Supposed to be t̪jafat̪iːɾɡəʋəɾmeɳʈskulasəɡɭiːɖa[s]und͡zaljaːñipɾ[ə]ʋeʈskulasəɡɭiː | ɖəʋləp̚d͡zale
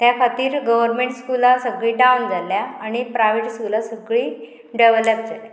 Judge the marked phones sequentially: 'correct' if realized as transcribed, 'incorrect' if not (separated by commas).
incorrect, incorrect